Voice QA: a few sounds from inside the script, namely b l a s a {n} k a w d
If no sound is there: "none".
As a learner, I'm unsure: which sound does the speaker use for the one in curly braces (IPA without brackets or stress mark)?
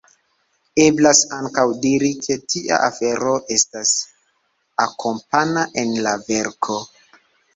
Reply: ŋ